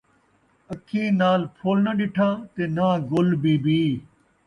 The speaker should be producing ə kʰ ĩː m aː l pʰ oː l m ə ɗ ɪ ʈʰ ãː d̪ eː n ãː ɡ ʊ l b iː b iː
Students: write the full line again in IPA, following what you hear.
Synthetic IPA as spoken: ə kʰ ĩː n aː l pʰ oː l n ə ɗ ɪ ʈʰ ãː t̪ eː n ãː ɡ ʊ l b iː b iː